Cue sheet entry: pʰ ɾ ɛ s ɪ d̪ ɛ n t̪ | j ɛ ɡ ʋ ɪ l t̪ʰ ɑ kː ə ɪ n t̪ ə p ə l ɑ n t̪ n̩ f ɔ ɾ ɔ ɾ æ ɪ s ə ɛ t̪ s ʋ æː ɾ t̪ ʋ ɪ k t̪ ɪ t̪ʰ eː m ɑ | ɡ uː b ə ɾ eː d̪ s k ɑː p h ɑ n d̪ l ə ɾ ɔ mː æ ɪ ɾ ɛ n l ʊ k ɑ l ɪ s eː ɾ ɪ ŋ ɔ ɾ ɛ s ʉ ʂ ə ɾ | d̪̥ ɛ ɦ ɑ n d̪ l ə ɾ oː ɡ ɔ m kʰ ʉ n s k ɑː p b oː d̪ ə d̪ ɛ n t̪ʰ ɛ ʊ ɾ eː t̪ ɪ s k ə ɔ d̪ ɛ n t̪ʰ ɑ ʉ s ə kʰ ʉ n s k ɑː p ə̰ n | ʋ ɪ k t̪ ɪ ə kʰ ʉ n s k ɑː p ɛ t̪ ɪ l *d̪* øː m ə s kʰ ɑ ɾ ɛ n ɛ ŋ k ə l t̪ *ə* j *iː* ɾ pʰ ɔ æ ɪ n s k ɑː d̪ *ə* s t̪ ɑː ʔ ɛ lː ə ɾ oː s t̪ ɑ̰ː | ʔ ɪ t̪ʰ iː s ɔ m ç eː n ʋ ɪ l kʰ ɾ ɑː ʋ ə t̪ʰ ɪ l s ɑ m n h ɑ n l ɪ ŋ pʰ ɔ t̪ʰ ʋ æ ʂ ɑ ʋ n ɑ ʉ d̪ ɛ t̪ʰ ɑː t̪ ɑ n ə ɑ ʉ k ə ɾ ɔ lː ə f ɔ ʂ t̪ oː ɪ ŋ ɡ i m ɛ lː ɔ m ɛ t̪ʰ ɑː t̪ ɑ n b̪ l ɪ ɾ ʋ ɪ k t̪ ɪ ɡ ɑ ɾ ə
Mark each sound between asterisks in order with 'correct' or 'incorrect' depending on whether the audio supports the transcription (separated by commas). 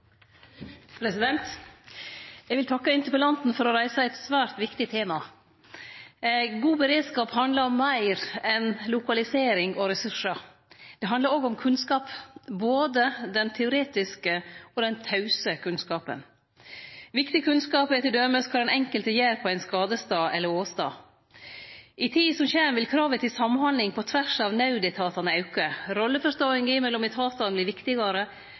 correct, correct, incorrect, correct